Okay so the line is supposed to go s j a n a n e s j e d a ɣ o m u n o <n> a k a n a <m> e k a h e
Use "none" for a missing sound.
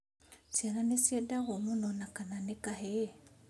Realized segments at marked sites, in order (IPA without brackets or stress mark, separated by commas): n, n